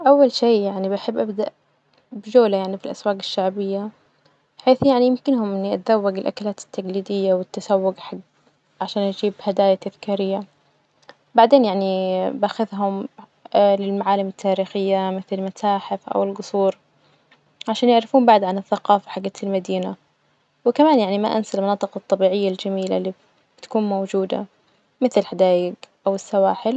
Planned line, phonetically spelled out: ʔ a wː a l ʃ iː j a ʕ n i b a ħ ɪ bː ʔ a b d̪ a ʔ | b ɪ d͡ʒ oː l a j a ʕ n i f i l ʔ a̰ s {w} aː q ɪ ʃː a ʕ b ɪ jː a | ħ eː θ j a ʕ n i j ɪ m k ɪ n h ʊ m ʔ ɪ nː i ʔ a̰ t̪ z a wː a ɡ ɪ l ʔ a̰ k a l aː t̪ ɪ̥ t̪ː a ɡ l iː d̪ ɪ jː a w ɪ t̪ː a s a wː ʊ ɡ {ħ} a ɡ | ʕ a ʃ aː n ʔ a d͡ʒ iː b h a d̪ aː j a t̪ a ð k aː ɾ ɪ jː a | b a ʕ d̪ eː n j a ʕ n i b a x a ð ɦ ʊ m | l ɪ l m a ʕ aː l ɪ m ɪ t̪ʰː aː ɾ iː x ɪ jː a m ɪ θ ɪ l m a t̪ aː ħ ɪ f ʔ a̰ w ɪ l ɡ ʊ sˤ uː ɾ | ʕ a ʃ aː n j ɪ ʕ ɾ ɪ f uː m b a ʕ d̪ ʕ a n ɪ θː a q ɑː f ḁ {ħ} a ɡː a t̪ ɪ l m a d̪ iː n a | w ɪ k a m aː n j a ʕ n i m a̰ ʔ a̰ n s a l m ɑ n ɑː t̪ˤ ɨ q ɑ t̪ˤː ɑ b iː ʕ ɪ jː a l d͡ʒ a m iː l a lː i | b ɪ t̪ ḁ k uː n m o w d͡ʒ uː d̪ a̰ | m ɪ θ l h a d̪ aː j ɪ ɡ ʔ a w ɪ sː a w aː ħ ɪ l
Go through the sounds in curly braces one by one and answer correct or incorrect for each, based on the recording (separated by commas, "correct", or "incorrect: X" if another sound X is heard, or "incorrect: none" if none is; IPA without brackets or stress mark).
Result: correct, correct, correct